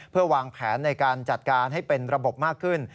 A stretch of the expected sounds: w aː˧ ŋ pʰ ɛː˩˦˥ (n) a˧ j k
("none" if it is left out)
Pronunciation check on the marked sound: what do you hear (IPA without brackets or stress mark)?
nː